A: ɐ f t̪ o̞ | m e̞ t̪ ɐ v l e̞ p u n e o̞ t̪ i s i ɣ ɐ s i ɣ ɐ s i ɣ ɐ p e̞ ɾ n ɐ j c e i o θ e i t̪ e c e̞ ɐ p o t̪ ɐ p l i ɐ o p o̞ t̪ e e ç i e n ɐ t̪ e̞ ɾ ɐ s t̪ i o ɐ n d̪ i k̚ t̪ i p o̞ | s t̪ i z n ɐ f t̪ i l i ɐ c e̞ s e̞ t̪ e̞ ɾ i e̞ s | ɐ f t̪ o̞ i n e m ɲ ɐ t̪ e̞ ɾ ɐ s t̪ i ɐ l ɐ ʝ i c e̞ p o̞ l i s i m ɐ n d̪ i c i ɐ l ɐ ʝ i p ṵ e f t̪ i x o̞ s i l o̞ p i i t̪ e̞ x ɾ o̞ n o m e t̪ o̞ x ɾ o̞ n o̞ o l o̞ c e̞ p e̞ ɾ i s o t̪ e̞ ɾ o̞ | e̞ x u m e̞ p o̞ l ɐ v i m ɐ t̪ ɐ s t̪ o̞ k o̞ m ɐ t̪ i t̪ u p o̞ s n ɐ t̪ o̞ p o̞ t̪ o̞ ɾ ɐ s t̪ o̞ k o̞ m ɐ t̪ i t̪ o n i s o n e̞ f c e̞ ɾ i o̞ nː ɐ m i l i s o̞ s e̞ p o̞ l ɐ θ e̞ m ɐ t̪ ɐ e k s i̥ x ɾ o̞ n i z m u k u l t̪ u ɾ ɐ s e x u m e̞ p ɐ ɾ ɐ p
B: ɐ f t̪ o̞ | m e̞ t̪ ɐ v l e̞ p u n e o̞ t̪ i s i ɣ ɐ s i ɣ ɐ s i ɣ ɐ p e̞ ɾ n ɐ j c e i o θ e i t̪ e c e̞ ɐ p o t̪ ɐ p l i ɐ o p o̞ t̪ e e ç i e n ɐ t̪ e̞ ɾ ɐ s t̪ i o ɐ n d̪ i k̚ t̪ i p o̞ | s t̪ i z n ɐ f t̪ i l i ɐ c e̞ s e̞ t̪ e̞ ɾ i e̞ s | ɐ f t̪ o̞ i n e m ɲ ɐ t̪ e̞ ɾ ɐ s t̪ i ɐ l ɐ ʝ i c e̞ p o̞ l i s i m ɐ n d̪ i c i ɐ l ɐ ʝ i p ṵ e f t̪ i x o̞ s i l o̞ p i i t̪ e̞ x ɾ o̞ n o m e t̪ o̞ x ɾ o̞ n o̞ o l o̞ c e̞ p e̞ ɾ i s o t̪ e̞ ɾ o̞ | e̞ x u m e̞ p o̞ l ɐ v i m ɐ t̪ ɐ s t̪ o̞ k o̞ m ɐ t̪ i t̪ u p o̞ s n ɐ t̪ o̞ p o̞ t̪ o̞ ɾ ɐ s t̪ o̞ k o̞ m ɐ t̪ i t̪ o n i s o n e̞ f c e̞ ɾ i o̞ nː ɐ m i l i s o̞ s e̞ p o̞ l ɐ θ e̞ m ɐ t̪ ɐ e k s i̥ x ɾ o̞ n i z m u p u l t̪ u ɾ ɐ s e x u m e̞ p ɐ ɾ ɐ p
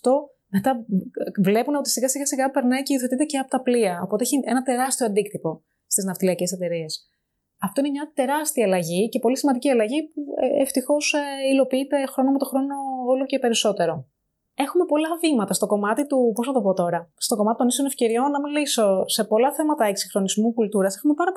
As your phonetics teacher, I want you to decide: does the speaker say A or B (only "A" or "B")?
A